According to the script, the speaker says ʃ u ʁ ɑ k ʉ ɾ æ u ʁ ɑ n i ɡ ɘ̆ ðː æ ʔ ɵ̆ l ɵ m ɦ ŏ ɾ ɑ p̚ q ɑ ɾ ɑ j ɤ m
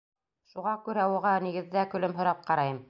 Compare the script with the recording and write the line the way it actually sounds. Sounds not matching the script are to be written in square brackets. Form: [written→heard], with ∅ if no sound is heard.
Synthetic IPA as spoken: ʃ u ʁ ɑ k ʉ ɾ æ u ʁ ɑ n i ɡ ɘ̆ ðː æ [ʔ→k] ɵ̆ l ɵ m ɦ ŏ ɾ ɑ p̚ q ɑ ɾ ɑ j ɤ m